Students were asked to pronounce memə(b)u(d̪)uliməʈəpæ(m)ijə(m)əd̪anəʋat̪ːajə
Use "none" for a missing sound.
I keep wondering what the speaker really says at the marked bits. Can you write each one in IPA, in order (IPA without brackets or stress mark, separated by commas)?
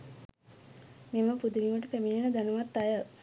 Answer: p, d̪, m, n